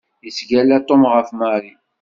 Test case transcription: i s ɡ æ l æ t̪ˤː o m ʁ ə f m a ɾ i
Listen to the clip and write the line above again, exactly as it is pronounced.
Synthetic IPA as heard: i s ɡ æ l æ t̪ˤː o m ʁ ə f m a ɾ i